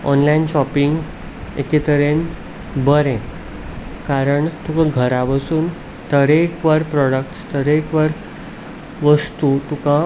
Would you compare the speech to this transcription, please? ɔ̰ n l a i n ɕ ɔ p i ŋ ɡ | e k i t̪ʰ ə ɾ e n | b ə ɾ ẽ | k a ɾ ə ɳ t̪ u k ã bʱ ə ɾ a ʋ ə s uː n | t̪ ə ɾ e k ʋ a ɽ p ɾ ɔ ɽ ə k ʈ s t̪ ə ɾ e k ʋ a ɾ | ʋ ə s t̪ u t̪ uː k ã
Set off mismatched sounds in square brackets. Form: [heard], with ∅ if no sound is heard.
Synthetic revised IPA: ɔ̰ n l a i n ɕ ɔ p i ŋ ɡ | e k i [t̪] ə ɾ e n | b ə ɾ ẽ | k a ɾ ə ɳ t̪ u k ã [ɡʱ] ə ɾ a ʋ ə s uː n | t̪ ə ɾ e k ʋ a [ɾ] p ɾ ɔ ɽ ə k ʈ s t̪ ə ɾ e k ʋ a ɾ | ʋ ə s t̪ u t̪ [u] k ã